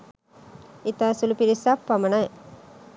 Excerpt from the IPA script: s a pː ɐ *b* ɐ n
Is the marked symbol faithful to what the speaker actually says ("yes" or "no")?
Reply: no